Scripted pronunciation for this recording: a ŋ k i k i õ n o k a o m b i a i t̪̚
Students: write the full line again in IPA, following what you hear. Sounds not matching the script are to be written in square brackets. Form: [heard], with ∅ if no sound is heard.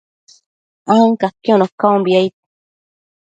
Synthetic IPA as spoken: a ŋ k [a] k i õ n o k a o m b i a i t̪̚

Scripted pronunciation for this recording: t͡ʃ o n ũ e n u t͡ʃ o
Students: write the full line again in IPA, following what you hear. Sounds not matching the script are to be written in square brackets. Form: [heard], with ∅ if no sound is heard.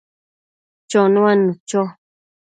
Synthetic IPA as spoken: t͡ʃ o n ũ [a] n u t͡ʃ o

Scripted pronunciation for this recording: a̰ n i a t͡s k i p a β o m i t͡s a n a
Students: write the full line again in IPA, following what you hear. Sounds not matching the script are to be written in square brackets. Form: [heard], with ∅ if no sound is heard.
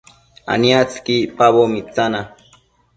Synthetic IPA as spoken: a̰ n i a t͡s k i p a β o m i t͡s a n a

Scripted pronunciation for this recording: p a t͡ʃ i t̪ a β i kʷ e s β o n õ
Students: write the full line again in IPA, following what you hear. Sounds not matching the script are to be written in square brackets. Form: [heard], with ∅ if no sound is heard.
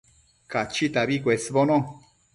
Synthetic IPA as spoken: [k] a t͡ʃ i t̪ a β i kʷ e s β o n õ

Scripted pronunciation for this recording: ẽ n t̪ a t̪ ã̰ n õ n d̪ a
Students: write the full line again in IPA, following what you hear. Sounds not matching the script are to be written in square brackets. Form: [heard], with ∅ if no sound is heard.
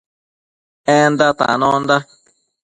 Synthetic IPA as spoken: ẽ n [d̪] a t̪ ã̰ n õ n d̪ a

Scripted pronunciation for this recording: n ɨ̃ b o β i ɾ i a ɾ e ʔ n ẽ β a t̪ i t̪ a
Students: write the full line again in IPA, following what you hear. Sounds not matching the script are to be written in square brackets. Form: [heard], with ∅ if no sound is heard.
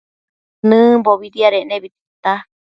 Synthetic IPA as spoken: n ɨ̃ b o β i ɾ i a ɾ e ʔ n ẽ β [i] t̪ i t̪ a

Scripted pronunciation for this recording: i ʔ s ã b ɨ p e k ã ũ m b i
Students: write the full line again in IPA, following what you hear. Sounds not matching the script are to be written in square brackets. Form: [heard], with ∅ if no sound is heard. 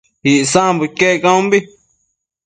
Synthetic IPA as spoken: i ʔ s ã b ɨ [k] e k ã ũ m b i

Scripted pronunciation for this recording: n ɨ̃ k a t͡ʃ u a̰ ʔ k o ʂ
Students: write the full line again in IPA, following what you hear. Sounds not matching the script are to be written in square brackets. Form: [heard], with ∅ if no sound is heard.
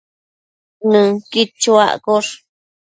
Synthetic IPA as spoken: n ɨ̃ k [i] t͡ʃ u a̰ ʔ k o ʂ

